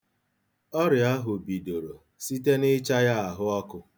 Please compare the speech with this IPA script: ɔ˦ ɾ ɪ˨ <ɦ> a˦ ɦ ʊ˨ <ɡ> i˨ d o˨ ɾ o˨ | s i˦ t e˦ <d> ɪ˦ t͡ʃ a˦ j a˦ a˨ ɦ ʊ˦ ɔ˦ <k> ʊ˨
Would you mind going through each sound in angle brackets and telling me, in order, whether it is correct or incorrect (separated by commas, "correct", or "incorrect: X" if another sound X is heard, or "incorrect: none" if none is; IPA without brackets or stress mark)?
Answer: incorrect: none, incorrect: b, incorrect: n, correct